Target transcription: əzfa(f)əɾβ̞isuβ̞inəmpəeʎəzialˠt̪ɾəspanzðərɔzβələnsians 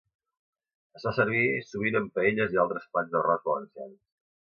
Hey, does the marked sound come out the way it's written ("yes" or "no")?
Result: no